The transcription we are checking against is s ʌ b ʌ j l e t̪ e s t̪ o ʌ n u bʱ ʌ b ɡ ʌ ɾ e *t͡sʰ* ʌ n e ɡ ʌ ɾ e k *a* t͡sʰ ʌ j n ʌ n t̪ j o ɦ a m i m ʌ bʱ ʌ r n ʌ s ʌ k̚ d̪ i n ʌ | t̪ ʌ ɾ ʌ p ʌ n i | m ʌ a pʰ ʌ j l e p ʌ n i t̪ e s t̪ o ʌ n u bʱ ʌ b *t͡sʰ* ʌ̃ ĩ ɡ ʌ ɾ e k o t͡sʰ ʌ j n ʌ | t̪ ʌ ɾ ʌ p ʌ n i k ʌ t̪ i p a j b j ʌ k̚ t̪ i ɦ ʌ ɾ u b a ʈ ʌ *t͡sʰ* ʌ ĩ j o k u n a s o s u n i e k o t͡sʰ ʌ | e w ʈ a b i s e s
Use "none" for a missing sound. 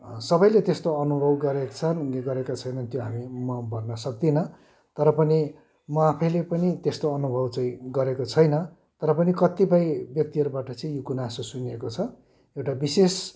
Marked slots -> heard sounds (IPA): t͡sʰ, a, t͡s, t͡s

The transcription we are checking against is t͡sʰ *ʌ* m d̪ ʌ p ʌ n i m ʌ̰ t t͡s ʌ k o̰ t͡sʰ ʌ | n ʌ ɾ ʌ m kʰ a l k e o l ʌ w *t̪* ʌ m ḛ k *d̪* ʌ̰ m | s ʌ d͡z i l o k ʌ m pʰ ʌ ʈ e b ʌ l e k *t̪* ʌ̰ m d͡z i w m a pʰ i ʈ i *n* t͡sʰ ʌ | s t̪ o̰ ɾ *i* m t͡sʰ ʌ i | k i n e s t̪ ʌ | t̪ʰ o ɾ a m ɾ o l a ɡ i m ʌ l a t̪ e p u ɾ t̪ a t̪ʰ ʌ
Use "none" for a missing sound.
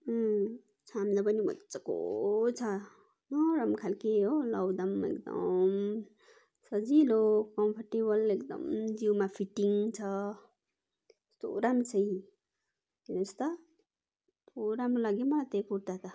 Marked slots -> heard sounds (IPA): a, d̪, d̪, d̪, ŋ, a

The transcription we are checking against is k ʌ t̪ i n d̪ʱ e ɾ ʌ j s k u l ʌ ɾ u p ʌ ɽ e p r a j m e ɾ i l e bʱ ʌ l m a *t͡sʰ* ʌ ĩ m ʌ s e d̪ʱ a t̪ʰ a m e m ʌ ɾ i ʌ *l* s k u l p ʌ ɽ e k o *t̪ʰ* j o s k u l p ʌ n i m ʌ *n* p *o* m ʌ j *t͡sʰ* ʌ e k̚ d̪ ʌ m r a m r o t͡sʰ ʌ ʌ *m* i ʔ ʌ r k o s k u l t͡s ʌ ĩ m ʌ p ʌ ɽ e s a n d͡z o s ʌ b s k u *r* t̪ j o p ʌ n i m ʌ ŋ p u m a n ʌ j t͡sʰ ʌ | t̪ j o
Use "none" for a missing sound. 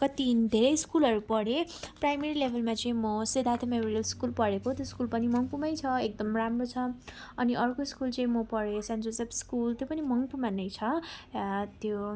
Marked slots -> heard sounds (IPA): t͡s, l, t̪, ŋ, u, t͡sʰ, n, l

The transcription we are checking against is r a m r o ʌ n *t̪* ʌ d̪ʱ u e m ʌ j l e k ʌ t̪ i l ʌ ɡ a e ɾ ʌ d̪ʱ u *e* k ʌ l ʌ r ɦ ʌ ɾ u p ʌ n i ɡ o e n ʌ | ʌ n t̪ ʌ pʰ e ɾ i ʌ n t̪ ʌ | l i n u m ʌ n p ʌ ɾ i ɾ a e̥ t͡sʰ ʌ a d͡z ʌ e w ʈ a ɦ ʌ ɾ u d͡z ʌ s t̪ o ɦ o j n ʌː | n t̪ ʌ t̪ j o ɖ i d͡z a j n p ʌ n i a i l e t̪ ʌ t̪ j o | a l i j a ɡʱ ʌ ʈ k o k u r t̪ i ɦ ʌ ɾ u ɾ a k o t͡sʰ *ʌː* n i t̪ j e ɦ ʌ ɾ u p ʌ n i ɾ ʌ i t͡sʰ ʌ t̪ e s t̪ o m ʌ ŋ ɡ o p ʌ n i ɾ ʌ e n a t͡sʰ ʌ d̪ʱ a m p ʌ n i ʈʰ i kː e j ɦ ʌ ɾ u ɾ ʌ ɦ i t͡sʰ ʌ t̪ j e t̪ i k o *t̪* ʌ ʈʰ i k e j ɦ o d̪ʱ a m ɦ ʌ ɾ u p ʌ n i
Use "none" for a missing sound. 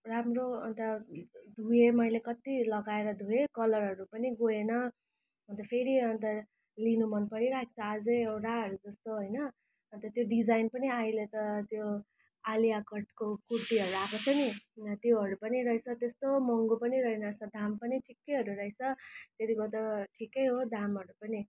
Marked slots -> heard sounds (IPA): t̪, e, ʌ, t̪

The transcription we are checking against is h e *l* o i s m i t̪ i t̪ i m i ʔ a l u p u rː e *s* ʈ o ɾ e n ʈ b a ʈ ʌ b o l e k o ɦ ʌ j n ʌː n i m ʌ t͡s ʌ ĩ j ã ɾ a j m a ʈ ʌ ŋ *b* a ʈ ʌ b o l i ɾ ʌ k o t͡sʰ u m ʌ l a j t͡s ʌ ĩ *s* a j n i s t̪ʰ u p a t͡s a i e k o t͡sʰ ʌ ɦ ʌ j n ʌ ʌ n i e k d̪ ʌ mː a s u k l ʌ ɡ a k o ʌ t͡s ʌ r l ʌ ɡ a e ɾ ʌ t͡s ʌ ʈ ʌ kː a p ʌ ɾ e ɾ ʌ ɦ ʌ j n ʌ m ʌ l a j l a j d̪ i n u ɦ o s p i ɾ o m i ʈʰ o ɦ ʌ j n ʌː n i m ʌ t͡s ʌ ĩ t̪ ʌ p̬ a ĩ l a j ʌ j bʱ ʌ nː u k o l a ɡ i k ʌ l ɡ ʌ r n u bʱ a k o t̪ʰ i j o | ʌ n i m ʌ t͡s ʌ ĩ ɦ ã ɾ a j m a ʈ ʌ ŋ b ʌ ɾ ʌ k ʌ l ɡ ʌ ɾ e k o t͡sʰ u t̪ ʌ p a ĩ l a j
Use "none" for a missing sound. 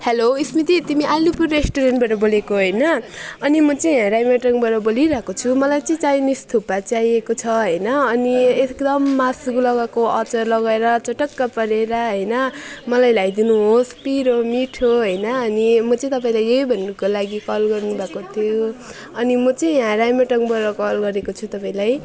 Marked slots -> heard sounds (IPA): l, s, b, t͡s

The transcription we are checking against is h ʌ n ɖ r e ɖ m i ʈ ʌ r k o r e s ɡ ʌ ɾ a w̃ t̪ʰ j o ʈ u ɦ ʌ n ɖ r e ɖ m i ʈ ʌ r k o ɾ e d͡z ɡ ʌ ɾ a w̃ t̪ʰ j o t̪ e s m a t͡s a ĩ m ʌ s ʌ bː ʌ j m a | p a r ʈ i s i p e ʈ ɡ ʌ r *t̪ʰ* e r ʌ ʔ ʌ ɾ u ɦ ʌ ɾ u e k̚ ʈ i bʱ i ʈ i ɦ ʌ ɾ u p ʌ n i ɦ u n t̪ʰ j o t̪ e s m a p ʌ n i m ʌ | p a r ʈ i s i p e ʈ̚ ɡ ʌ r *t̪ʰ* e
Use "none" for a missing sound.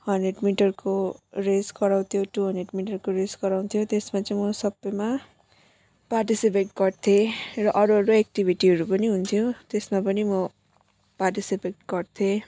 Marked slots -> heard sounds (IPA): t̪ʰ, t̪ʰ

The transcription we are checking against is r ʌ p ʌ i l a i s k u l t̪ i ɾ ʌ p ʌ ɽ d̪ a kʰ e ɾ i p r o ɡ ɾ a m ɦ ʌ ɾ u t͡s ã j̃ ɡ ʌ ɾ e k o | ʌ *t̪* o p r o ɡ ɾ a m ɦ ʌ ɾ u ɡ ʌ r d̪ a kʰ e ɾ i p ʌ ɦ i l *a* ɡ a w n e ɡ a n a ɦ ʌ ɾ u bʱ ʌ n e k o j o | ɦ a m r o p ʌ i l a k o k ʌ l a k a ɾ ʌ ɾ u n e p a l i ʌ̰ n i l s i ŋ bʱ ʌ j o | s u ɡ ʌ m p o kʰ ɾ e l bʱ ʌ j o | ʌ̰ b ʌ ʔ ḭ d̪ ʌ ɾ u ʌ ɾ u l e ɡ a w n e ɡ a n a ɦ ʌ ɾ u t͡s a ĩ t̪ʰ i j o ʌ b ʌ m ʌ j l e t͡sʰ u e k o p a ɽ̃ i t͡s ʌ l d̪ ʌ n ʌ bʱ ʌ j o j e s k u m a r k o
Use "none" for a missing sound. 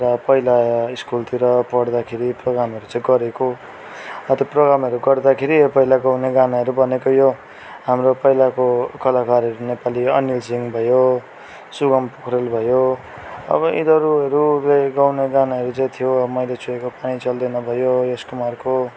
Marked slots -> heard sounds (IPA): t̪, a

